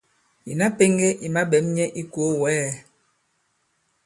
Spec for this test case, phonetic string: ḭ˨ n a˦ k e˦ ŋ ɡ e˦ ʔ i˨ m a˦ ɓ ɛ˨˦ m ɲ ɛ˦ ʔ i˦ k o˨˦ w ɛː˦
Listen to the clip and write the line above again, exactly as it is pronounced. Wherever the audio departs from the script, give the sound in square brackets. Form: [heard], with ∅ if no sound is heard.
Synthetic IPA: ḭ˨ n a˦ [p] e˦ ŋ ɡ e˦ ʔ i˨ m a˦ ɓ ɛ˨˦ m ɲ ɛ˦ ʔ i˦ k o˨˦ w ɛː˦